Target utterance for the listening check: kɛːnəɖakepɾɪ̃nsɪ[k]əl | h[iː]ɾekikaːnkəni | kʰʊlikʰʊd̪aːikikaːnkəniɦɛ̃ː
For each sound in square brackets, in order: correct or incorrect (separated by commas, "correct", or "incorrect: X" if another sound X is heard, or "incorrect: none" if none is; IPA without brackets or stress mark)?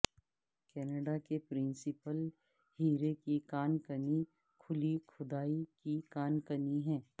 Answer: incorrect: p, correct